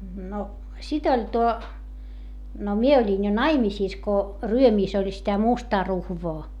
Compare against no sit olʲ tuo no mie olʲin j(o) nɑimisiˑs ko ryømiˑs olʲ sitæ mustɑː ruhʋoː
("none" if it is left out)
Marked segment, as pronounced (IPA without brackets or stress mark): o